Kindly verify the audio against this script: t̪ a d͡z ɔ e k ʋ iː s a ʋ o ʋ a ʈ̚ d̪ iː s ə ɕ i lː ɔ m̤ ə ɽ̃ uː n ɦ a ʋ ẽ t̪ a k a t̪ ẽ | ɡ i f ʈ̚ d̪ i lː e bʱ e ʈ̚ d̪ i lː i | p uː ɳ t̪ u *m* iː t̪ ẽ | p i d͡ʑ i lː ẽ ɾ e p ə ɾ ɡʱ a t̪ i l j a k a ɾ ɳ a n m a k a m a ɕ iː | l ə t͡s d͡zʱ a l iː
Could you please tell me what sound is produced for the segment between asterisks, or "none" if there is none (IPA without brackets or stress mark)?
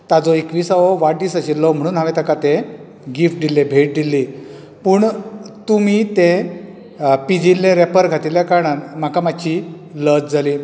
m